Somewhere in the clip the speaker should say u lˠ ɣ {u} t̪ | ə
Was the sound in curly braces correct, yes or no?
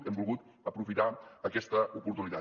yes